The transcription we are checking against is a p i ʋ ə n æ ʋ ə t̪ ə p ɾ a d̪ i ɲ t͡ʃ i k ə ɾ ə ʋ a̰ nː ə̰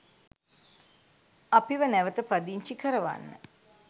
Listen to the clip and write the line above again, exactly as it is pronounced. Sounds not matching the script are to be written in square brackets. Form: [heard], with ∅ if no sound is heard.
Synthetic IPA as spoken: a p i ʋ ə n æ ʋ ə t̪ ə p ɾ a d̪ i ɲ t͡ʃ i k ə ɾ ə ʋ a̰ nː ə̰